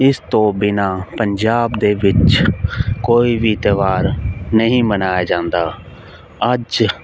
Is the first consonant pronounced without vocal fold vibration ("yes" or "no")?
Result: yes